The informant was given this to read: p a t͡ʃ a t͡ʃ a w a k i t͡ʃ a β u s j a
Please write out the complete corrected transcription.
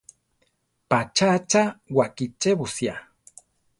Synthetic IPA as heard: p a t͡ʃ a t͡ʃ a w a k i t͡ʃ e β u s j a